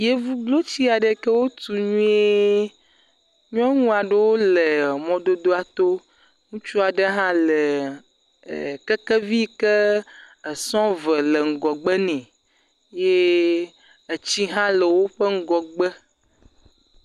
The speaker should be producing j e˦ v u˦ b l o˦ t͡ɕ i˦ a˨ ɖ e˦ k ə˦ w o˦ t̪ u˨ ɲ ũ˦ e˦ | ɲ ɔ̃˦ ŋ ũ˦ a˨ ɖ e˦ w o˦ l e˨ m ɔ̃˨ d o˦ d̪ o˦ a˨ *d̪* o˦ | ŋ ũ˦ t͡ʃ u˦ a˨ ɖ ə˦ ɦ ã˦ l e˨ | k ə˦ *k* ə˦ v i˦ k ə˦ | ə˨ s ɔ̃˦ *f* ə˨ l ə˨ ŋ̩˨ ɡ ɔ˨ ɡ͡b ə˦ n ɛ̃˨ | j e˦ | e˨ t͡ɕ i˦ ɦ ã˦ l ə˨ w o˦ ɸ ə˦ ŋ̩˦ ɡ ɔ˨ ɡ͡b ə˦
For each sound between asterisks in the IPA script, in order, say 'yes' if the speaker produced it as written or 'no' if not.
no, yes, no

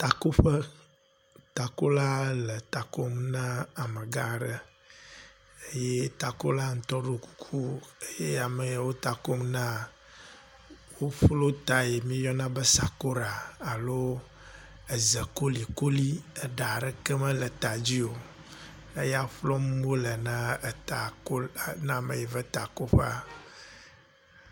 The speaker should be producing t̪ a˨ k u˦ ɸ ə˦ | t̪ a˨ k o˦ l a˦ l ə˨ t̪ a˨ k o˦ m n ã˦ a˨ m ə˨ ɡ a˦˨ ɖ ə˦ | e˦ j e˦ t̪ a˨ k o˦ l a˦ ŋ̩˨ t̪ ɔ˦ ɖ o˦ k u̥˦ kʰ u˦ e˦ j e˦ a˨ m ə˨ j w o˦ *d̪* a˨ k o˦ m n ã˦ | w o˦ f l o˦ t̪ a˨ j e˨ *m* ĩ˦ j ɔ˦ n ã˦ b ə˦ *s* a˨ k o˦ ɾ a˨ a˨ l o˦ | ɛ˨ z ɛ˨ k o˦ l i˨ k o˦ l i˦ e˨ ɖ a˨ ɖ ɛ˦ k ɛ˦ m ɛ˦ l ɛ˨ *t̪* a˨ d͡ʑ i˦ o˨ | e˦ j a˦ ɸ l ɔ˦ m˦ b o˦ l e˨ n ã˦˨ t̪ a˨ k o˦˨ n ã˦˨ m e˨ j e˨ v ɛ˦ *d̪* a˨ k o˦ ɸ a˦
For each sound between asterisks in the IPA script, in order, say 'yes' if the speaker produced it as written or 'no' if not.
no, yes, yes, yes, no

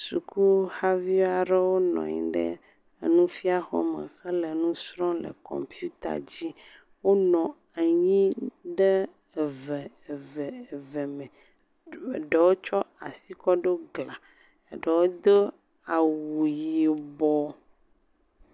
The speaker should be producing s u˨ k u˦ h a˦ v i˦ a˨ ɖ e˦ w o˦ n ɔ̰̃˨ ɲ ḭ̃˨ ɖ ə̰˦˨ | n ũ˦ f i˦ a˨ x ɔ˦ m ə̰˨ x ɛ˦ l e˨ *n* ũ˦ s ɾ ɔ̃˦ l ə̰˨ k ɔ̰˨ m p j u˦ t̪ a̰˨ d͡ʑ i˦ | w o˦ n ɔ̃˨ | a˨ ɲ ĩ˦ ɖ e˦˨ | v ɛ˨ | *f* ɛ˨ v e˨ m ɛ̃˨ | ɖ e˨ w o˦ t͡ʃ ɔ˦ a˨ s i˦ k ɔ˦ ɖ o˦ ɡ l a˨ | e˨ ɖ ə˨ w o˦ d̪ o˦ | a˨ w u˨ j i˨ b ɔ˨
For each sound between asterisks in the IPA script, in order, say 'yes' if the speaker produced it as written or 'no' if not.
yes, no

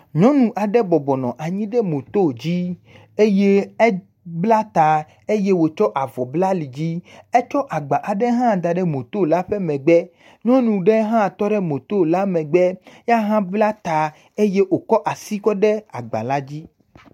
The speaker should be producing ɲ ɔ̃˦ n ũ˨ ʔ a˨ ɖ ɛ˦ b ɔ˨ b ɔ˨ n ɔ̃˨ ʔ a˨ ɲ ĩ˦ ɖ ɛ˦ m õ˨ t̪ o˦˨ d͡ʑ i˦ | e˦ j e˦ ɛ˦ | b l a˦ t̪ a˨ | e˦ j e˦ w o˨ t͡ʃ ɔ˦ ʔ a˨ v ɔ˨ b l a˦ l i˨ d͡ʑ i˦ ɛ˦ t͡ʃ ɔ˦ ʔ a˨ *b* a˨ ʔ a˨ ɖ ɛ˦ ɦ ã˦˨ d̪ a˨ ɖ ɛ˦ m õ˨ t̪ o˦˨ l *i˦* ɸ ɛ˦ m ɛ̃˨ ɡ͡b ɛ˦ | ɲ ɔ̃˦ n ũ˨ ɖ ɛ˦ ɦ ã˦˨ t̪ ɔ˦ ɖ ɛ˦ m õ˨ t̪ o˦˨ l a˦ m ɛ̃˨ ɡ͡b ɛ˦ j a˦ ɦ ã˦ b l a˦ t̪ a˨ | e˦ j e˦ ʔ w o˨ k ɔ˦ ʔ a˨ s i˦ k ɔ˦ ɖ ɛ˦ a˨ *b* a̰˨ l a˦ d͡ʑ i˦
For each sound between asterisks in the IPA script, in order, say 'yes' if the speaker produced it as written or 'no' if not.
no, no, no

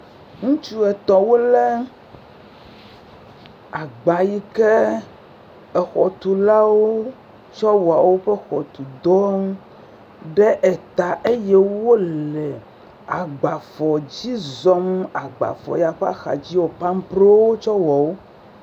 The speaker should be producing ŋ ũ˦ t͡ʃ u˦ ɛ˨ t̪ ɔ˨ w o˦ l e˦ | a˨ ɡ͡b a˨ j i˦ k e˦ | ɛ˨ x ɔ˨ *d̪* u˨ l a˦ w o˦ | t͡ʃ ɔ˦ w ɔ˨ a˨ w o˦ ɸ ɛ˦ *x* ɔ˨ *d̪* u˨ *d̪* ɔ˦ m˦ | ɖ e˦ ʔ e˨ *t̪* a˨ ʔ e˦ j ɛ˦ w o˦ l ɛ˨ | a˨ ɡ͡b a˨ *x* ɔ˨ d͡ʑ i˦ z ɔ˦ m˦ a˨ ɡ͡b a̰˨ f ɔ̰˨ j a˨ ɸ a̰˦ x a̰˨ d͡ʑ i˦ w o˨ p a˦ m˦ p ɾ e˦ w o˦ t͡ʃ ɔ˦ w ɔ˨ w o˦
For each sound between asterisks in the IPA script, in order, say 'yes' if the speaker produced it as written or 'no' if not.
no, yes, no, yes, yes, no

